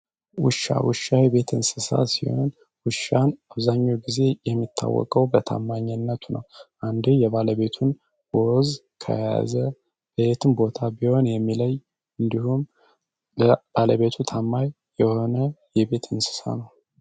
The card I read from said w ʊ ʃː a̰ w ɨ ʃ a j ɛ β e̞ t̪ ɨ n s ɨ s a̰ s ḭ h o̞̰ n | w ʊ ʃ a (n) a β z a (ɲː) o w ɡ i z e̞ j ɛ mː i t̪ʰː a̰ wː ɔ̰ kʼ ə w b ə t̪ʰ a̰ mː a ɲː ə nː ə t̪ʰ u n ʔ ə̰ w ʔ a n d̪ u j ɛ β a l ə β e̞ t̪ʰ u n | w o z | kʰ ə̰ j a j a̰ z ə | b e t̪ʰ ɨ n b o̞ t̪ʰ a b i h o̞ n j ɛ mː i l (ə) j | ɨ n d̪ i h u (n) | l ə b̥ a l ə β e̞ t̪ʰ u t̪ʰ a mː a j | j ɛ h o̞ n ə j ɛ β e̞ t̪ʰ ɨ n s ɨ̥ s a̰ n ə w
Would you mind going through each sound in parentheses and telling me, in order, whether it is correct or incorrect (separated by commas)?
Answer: correct, correct, correct, incorrect